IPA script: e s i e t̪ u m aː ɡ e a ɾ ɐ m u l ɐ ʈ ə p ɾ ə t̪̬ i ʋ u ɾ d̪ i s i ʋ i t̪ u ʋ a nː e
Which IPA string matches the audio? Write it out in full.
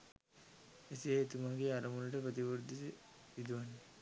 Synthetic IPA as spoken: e s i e t̪ u m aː ɡ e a ɾ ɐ m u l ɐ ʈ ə p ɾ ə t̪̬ i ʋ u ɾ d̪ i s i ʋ i d̪ u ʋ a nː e

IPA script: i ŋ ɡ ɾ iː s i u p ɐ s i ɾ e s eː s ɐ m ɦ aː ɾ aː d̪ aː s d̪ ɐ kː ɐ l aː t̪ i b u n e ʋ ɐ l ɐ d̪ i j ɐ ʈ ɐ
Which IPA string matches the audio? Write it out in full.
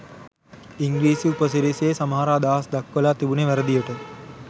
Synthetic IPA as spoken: i ŋ ɡ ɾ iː s i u p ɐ s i ɾ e s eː s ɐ m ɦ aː ɾ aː d̪ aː s d̪ ɐ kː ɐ l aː t̪ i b u n e ʋ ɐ ɾ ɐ d̪ i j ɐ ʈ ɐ

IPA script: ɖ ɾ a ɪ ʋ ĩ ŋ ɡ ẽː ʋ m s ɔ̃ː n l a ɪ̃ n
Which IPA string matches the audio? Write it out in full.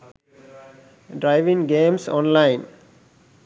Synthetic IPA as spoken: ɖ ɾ a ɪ ʋ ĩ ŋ ɡ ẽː m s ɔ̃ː n l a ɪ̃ n

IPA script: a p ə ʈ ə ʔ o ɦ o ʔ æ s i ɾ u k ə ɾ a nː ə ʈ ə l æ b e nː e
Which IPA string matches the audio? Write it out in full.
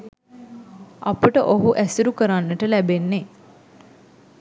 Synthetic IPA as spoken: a p ə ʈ ə ʔ o ɦ u ʔ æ s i ɾ u k ə ɾ a nː ə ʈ ə l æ b e nː e

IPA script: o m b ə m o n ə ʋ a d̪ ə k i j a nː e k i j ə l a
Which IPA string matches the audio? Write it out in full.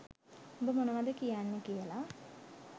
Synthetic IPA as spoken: o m b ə m o n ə ʋ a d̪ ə k i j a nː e k i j ə l a

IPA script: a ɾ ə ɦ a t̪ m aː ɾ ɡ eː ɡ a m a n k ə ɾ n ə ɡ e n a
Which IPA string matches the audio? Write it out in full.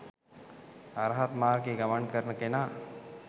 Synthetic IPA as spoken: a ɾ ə ɦ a t̪ m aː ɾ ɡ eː ɡ a m a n k ə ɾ n ə k e n a

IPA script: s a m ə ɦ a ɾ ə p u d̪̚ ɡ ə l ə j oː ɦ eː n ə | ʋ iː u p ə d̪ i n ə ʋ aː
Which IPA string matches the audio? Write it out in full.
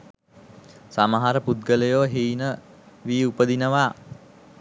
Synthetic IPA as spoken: s a m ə ɦ a ɾ ə p u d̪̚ ɡ ə l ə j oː ɦ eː n ə | ʋ iː u p ə d̪ i n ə ʋ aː

